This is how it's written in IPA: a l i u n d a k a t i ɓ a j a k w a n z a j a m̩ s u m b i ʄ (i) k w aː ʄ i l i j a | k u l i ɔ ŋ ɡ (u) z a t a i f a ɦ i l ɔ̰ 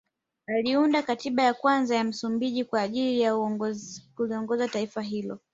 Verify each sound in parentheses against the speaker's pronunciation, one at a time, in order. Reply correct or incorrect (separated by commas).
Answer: correct, incorrect